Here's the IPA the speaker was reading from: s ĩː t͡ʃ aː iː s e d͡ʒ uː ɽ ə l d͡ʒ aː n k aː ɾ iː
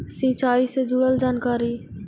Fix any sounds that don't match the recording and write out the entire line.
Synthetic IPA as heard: s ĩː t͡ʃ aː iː s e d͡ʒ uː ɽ ə l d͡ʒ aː n k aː ɾ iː